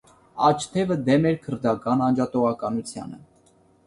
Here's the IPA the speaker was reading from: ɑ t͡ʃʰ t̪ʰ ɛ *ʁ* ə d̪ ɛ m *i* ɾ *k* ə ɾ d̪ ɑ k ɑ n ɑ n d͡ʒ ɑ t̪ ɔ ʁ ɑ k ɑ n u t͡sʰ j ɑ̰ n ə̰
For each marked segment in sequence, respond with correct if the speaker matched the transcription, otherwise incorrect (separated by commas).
incorrect, incorrect, incorrect